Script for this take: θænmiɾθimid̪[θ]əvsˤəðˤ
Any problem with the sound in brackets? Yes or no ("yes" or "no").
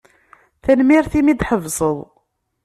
yes